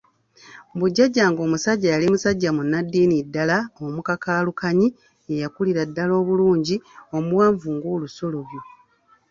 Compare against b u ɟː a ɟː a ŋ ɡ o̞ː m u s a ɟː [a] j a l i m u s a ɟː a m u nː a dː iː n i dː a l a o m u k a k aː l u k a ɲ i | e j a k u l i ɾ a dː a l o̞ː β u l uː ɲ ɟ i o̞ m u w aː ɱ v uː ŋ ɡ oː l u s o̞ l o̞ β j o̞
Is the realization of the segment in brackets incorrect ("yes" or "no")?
no